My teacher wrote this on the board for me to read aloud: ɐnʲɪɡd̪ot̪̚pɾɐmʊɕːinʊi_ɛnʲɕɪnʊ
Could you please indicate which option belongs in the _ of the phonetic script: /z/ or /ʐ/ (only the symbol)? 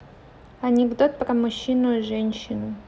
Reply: ʐ